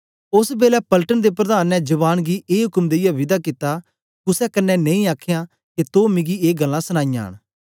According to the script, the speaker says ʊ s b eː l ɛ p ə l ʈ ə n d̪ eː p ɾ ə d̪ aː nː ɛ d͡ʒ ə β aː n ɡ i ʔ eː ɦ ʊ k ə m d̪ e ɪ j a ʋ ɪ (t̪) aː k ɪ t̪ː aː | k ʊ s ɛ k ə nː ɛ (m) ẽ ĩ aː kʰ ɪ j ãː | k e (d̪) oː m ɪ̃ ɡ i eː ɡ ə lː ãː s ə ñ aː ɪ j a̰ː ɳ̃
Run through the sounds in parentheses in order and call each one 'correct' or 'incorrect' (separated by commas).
incorrect, incorrect, incorrect